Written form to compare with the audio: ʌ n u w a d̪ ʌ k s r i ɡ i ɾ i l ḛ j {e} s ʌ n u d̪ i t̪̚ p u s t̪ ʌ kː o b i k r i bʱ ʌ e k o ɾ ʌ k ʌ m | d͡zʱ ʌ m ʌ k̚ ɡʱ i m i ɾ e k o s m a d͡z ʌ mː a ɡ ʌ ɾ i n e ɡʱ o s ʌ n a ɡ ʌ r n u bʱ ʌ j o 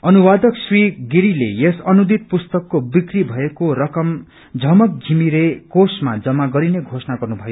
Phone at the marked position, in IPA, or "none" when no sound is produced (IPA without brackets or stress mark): e